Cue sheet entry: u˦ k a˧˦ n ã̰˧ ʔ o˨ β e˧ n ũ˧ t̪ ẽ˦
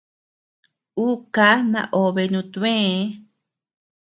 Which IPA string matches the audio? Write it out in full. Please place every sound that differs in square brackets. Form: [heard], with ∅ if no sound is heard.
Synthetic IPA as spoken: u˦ k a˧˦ n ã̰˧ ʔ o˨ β e˧ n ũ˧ t̪ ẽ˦